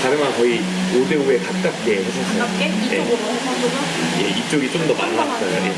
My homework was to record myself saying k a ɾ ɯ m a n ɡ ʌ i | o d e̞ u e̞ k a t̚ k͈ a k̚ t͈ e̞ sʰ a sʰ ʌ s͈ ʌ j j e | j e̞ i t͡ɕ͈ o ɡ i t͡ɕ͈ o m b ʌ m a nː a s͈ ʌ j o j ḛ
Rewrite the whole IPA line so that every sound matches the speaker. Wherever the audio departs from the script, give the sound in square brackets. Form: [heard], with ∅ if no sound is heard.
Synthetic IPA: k a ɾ ɯ m a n [k] ʌ i | o d e̞ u e̞ k a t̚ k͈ a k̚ [k͈] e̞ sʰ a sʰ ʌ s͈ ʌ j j e | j e̞ i t͡ɕ͈ o ɡ i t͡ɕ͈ o m [d] ʌ m a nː a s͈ ʌ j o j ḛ